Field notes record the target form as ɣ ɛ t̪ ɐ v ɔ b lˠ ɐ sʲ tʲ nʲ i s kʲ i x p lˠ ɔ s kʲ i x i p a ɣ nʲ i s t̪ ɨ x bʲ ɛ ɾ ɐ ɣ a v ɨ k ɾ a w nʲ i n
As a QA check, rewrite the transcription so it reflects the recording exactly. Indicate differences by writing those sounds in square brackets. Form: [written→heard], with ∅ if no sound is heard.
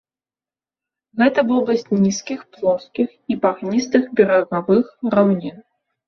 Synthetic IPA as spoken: ɣ ɛ t̪ ɐ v ɔ b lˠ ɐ sʲ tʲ nʲ i s kʲ i x p lˠ ɔ s kʲ i x i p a ɣ nʲ i s t̪ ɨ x bʲ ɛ ɾ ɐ ɣ a v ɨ [k→x] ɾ a w nʲ i n